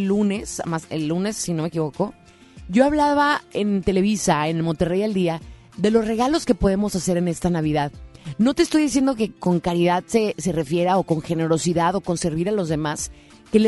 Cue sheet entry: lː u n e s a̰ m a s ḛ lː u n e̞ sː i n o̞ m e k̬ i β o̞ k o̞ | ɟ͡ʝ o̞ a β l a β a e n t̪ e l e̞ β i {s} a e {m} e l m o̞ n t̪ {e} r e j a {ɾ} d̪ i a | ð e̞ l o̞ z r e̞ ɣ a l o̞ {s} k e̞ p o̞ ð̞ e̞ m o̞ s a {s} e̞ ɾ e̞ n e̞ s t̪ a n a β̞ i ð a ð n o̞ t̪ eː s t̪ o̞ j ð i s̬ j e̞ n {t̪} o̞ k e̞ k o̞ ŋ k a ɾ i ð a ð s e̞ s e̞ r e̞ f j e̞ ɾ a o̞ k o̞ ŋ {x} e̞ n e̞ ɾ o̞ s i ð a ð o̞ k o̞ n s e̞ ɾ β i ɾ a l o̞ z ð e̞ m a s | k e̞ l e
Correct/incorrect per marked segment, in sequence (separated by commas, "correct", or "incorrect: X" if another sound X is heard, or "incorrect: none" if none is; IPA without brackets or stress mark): correct, incorrect: n, correct, incorrect: l, correct, correct, incorrect: d̪, correct